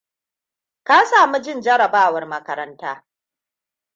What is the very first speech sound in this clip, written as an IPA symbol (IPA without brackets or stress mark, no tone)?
k